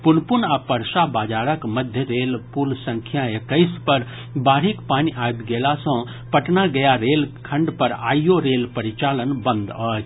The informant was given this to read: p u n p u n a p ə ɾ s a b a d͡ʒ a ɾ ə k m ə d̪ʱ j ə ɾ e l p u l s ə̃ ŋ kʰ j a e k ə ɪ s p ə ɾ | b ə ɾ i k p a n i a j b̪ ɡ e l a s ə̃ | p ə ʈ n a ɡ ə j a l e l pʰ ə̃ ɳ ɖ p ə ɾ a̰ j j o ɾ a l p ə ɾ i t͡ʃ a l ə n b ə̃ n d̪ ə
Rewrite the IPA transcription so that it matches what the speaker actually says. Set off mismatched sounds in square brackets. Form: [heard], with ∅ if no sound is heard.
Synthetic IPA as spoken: p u n p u n a p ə ɾ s a b a d͡ʒ a ɾ ə k m ə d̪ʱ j ə ɾ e l p u l s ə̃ ŋ kʰ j a e k ə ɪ s p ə ɾ | b [a] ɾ i k p a n i a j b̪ ɡ e l a s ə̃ | p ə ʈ n a ɡ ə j a [ɾ] e l [kʰ] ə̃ ɳ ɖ p ə ɾ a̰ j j o ɾ [e] l p ə ɾ i t͡ʃ a l ə n b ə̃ n d̪ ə